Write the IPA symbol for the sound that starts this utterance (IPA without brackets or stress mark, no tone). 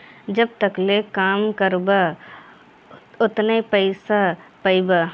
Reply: d͡ʒ